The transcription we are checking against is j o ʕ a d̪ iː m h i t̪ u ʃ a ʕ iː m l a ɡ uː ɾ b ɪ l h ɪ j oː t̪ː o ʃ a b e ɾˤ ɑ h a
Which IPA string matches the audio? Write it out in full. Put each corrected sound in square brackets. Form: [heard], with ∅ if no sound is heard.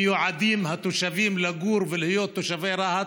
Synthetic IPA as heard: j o ʕ a d̪ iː m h [a] t̪ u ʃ a [v] iː m l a ɡ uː ɾ [v] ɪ l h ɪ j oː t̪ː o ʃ a [v] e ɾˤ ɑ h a